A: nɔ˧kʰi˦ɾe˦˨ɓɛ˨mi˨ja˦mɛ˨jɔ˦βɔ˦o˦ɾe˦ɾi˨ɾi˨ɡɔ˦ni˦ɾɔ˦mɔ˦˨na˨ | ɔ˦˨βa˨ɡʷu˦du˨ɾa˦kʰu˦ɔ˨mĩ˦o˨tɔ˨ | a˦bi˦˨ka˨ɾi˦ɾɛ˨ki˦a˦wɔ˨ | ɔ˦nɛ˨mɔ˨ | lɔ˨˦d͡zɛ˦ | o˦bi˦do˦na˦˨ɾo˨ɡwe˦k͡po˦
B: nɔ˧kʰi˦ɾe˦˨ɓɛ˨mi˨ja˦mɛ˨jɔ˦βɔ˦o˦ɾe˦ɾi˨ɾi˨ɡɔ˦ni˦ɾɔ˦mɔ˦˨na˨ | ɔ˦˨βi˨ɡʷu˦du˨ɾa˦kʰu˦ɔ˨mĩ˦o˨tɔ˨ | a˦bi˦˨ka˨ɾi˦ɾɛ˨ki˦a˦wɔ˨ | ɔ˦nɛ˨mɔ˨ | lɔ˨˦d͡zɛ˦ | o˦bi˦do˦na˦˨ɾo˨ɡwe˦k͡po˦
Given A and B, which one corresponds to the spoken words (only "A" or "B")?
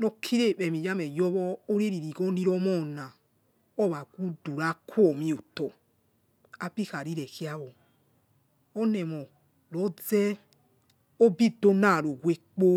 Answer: A